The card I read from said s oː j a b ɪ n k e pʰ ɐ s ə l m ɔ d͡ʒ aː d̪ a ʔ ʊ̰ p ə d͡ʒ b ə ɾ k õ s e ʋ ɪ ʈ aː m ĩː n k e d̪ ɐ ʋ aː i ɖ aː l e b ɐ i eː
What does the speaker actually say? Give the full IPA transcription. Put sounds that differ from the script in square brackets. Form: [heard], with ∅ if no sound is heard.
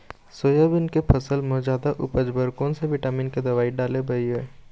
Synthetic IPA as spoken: s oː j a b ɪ n k e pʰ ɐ s ə l m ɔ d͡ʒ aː d̪ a ʔ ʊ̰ p ə d͡ʒ b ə ɾ k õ s e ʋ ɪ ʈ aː m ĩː n k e d̪ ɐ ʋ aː i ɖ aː l e b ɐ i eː